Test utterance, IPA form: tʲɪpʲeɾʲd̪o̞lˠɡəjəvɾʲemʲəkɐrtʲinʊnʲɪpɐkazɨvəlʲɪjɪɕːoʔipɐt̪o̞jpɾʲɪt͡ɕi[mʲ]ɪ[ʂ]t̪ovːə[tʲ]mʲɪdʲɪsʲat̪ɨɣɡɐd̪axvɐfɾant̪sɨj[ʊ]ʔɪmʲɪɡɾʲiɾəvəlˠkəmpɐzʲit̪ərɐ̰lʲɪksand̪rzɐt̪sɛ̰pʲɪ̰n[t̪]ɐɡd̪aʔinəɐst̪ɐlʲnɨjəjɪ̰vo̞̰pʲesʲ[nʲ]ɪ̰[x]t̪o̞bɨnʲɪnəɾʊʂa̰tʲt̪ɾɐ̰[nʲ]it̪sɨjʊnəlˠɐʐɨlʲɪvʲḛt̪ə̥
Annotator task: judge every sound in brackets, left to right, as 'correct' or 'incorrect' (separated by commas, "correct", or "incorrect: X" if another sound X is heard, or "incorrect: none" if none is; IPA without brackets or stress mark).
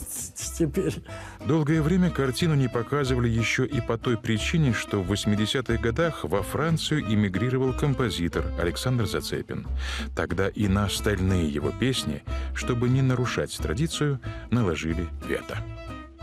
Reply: incorrect: nʲ, correct, incorrect: sʲ, correct, correct, correct, incorrect: ʂ, incorrect: dʲ